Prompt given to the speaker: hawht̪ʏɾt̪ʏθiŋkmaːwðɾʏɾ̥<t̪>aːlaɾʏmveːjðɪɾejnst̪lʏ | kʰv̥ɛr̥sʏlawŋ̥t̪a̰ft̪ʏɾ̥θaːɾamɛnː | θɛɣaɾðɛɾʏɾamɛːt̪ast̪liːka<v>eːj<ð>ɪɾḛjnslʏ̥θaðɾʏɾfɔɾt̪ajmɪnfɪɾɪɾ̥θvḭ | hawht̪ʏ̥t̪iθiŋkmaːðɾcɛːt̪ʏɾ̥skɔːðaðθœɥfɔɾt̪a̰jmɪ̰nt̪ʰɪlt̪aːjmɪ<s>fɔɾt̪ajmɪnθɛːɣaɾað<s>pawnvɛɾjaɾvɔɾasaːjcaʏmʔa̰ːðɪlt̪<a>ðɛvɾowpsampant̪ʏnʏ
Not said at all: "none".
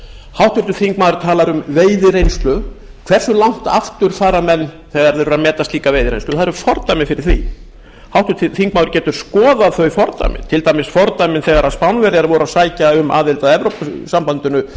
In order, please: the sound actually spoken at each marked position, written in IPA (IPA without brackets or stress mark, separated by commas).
t̪ʰ, v, ð, s, s, a